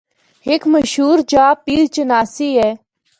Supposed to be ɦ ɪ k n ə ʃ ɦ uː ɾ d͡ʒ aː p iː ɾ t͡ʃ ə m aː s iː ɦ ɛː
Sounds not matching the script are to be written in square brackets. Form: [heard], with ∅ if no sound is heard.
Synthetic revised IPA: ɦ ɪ k [m] ə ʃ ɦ uː ɾ d͡ʒ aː p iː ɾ t͡ʃ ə [n] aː s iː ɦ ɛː

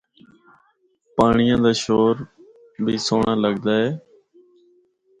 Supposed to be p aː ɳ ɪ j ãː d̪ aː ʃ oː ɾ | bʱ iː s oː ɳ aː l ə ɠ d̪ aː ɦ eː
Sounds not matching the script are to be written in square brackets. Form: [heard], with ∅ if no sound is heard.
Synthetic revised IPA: p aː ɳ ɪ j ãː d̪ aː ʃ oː ɾ | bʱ iː s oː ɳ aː l ə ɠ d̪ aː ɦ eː

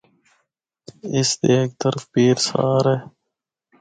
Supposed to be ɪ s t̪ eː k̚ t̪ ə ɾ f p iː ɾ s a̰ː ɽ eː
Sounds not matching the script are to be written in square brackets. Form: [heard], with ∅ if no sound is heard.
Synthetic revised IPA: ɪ s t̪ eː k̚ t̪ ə ɾ f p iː ɾ s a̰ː [ɾ] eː

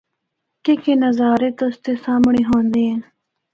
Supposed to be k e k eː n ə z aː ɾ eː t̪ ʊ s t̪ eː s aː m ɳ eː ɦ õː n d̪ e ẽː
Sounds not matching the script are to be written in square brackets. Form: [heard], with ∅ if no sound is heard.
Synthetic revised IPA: k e k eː n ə z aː ɾ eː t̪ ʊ s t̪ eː s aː m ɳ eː ɦ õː n d̪ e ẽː

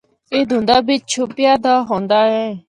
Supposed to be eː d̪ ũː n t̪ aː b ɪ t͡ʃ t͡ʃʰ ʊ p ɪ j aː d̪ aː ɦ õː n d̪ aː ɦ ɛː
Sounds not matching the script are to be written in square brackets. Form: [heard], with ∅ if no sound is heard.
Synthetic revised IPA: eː d̪ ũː n [d̪] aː b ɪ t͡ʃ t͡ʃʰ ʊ p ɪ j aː d̪ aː ɦ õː n d̪ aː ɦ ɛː

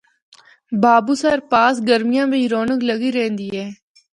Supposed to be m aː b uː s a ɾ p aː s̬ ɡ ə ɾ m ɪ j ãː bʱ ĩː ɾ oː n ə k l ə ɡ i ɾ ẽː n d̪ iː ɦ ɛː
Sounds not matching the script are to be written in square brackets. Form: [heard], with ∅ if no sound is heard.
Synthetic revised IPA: [b] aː b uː s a ɾ p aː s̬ ɡ ə ɾ m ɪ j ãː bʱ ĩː ɾ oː n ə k l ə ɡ i ɾ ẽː n d̪ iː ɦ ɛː

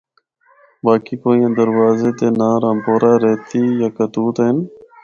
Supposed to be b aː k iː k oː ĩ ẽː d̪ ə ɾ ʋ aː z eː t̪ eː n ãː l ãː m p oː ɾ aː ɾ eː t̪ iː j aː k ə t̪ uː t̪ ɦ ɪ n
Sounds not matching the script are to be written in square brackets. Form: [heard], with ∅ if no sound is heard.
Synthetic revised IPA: b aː k iː k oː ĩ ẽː d̪ ə ɾ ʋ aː z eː t̪ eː n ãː [ɾ] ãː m p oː ɾ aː ɾ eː t̪ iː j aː k ə t̪ uː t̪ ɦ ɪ n

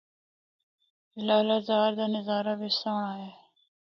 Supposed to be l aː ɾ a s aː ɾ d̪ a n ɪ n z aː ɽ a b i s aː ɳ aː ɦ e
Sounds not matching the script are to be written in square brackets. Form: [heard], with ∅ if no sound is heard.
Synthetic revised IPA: l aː [l] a [z] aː ɾ d̪ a n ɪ [∅] z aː [ɾ] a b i s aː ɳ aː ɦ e

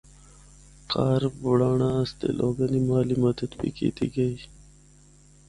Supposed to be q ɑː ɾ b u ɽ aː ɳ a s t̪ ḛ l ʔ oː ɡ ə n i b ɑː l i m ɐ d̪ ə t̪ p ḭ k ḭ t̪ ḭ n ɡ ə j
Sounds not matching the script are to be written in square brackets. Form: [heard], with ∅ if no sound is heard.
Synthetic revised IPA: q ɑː ɾ b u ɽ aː ɳ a s t̪ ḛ l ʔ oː ɡ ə n i [m] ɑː l i m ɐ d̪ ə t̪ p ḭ k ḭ t̪ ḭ [∅] ɡ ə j

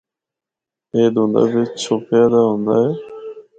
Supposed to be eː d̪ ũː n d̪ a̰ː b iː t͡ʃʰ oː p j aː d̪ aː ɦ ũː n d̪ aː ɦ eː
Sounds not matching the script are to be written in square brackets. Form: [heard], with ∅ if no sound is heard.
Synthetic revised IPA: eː d̪ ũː n d̪ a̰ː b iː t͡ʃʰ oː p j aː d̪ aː ɦ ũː n d̪ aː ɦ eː

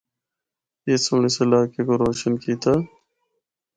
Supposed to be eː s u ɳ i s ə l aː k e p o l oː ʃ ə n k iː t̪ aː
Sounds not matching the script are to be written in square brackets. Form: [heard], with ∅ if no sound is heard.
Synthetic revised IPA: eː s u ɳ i s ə l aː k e [k] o [ɾ] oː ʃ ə n k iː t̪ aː

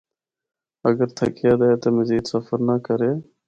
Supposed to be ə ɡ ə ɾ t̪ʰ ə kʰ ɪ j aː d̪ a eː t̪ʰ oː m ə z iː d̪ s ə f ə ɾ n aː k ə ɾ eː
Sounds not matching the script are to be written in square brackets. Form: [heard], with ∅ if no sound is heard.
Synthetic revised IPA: ə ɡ ə ɾ t̪ʰ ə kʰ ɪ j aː d̪ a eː [t̪] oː m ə z iː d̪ s ə f ə ɾ n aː k ə ɾ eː

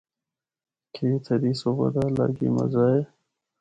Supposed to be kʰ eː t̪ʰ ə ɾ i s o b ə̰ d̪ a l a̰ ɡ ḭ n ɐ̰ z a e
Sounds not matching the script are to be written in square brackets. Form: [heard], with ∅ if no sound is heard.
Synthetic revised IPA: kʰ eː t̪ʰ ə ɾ i s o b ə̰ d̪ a l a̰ ɡ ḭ [m] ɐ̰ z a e

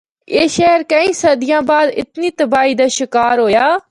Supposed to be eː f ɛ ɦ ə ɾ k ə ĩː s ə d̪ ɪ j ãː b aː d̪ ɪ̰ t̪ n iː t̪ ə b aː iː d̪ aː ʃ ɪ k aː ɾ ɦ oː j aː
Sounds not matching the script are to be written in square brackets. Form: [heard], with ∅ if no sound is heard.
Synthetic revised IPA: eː [ʃ] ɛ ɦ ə ɾ k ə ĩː s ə d̪ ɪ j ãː b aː d̪ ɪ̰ t̪ n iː t̪ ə b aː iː d̪ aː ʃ ɪ k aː ɾ ɦ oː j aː

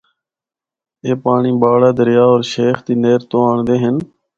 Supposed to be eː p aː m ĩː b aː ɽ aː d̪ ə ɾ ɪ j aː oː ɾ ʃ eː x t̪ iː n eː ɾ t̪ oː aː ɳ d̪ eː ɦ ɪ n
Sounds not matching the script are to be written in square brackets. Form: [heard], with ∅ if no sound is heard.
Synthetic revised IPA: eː p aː [ɳ] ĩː b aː ɽ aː d̪ ə ɾ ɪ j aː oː ɾ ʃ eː x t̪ iː n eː ɾ t̪ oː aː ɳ d̪ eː ɦ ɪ n

